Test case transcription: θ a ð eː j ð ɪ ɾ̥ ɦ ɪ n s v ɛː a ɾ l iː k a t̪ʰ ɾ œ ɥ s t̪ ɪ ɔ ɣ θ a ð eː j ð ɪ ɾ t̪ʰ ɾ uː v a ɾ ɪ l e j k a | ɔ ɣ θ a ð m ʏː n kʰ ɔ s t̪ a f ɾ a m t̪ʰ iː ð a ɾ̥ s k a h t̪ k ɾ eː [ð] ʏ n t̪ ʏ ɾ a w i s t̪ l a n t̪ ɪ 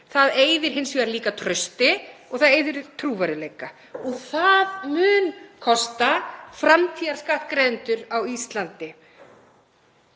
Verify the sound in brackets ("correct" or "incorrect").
correct